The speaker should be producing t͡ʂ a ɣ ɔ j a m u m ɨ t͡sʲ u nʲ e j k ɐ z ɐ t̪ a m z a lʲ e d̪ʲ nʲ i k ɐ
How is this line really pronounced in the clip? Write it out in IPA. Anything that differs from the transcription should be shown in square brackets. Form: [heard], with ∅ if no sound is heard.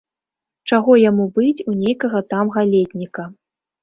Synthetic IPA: t͡ʂ a ɣ ɔ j a m u [b] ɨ t͡sʲ u nʲ e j k ɐ [ɣ] ɐ t̪ a m [ɣ] a lʲ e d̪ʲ nʲ i k ɐ

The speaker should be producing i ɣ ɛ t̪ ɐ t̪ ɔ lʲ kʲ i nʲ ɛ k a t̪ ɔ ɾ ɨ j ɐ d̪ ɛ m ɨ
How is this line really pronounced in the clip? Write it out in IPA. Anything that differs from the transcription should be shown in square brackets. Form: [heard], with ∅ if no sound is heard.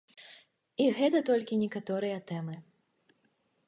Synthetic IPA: i ɣ ɛ t̪ ɐ t̪ ɔ lʲ kʲ i nʲ ɛ k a t̪ ɔ ɾ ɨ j ɐ [t̪] ɛ m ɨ

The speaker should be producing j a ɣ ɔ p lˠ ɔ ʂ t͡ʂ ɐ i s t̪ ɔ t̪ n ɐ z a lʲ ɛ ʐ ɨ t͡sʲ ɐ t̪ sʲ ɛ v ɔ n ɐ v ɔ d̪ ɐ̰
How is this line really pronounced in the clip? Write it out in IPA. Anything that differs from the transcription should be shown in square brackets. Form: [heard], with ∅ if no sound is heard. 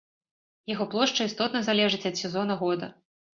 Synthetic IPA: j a ɣ ɔ p lˠ ɔ ʂ t͡ʂ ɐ i s t̪ ɔ t̪ n ɐ z a lʲ ɛ ʐ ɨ t͡sʲ ɐ t̪ sʲ ɛ [z] ɔ n ɐ [ɣ] ɔ d̪ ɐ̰

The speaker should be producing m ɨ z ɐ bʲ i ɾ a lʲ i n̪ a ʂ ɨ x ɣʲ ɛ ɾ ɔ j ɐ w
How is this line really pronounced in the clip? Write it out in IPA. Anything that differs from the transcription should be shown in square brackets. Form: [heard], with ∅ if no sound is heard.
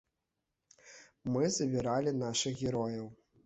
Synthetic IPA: m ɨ z ɐ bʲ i ɾ a lʲ i n̪ a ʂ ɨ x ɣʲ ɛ ɾ ɔ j ɐ w

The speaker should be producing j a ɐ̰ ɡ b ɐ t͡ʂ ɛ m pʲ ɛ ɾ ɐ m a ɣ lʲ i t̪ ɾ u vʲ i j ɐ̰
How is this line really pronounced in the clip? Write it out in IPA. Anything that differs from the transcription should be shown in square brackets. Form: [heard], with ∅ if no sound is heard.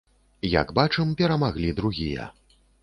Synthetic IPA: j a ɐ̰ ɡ b [a] t͡ʂ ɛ m pʲ ɛ ɾ ɐ m a ɣ lʲ i [d̪] ɾ u [ɣʲ] i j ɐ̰

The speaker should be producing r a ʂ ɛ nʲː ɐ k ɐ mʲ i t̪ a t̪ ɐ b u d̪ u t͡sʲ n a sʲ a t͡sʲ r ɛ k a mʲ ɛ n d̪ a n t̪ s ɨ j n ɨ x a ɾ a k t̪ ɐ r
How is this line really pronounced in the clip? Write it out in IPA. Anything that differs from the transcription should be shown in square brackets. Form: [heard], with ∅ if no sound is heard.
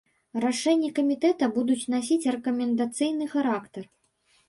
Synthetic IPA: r a ʂ ɛ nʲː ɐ k ɐ mʲ i t̪ [ɛ] t̪ ɐ b u d̪ u t͡sʲ n a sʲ [i] t͡sʲ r ɛ k [ɐ] mʲ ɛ n d̪ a [∅] t̪ s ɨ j n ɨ x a ɾ a k t̪ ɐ r

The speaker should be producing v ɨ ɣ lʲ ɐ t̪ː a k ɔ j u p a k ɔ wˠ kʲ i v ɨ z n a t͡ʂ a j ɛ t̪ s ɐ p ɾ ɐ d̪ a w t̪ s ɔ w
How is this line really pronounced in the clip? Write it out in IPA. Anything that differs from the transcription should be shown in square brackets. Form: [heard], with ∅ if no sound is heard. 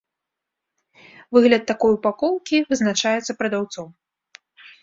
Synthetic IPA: v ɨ ɣ lʲ ɐ t̪ː a k ɔ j u p a k ɔ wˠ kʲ i v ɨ z n a t͡ʂ a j ɛ t̪ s ɐ p ɾ ɐ d̪ a w t̪ s ɔ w

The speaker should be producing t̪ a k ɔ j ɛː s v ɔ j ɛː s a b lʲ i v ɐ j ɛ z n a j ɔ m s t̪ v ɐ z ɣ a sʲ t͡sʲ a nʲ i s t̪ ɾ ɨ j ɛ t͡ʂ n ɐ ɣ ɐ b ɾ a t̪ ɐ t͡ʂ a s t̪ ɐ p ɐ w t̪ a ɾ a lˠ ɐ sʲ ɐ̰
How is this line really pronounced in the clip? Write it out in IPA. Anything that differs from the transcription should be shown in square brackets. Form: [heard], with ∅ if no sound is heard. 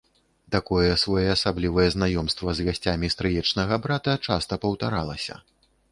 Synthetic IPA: t̪ a k ɔ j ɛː s v ɔ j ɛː s a b lʲ i v ɐ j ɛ z n a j ɔ m s t̪ v ɐ z ɣ a sʲ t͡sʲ a [mʲ] i s t̪ ɾ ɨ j ɛ t͡ʂ n ɐ ɣ ɐ b ɾ a t̪ ɐ t͡ʂ a s t̪ ɐ p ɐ w t̪ a ɾ a lˠ ɐ sʲ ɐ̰

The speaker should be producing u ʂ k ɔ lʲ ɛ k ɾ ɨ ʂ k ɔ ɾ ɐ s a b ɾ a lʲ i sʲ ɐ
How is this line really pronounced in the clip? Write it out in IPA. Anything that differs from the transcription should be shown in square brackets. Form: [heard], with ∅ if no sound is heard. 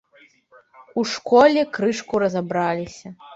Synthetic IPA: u ʂ k ɔ lʲ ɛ k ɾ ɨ ʂ k [u] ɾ ɐ [z] a b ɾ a lʲ i sʲ ɐ

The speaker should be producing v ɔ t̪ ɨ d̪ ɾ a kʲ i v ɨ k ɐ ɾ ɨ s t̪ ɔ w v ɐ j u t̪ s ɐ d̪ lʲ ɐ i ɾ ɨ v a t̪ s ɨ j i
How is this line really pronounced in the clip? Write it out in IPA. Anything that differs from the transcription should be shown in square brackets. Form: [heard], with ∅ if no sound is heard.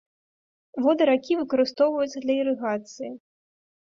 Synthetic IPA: v ɔ [d̪] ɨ [∅] ɾ a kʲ i v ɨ k ɐ ɾ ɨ s t̪ ɔ w v ɐ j u t̪ s ɐ d̪ lʲ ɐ i ɾ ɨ [ɣ] a t̪ s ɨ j i

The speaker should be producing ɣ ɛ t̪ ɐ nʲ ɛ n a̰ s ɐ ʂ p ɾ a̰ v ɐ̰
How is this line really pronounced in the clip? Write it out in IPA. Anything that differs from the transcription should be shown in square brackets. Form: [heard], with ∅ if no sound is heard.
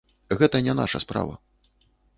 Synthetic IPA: ɣ ɛ t̪ ɐ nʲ ɛ n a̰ [ʂ] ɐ [s] p ɾ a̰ v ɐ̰

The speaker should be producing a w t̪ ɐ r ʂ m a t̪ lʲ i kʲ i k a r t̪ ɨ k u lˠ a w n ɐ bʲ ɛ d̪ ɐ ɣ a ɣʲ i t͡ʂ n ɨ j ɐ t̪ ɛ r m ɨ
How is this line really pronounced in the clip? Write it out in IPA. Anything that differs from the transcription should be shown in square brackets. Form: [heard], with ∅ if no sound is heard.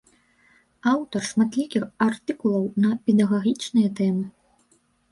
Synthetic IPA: a w t̪ ɐ r ʂ m a t̪ lʲ i kʲ i [x] a r t̪ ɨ k u lˠ [ɐ] w n ɐ [pʲ] ɛ d̪ ɐ ɣ a ɣʲ i t͡ʂ n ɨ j ɐ t̪ ɛ [∅] m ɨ

